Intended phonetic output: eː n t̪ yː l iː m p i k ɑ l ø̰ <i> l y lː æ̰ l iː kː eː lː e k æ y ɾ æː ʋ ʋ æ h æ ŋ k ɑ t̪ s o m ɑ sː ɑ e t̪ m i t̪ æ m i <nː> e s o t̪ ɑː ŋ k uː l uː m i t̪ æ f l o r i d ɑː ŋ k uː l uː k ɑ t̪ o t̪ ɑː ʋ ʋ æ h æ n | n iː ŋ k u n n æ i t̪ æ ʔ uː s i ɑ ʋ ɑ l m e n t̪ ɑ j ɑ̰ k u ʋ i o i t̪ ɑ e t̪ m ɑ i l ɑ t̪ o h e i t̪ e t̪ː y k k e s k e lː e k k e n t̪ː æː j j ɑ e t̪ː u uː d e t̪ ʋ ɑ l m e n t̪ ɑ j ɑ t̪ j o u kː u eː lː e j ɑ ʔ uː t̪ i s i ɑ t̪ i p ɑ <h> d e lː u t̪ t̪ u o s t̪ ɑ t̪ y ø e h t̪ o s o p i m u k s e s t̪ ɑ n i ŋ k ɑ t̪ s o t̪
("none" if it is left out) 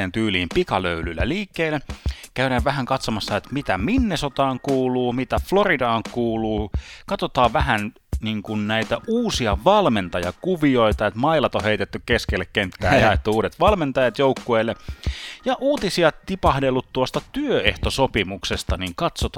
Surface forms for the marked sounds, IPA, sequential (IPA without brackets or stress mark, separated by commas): y, nː, h